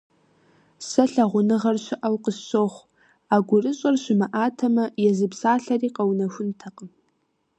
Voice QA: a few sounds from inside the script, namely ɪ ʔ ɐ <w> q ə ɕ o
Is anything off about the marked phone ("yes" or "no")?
no